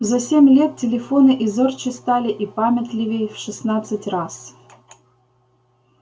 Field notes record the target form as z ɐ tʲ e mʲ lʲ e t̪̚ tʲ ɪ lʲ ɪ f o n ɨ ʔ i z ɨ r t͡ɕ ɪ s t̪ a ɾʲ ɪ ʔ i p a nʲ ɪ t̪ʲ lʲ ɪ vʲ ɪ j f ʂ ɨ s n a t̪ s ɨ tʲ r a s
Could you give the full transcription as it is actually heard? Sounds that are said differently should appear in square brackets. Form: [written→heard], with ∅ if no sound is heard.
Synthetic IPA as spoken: z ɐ [tʲ→sʲ] e mʲ lʲ e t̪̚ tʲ ɪ lʲ ɪ f o n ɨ ʔ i z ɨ r t͡ɕ ɪ s t̪ a [ɾʲ→lʲ] ɪ ʔ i p a [nʲ→mʲ] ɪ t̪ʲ lʲ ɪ vʲ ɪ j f ʂ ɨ s n a t̪ s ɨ tʲ r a s